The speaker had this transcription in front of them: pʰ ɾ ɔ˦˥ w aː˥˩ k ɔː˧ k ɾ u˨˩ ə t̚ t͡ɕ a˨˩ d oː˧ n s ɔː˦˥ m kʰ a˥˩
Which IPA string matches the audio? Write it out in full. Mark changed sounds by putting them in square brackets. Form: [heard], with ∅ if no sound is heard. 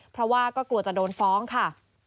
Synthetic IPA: pʰ ɾ ɔ˦˥ w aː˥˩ k [ɔː˥˩] k [l] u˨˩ ə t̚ t͡ɕ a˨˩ d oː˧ n [f] ɔː˦˥ [ŋ] kʰ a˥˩